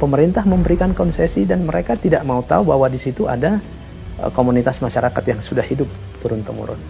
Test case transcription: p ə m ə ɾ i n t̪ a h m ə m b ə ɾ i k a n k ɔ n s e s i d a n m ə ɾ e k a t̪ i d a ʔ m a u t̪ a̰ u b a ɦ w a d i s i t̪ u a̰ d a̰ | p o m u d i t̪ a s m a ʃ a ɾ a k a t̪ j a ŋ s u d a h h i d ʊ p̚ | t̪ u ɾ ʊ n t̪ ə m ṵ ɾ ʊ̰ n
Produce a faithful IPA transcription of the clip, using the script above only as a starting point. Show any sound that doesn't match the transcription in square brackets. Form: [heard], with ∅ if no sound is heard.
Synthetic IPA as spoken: p ə m ə ɾ i n t̪ a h m ə m b ə ɾ i k a n k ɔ n s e s i d a n m ə ɾ e k a t̪ i d a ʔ m a u t̪ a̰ u b a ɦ w a d i s i t̪ u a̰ d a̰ | [k] o m u [n] i t̪ a s m a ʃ a ɾ a k a t̪ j a ŋ s u d a h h i d ʊ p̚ | t̪ u ɾ ʊ n t̪ ə m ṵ ɾ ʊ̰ n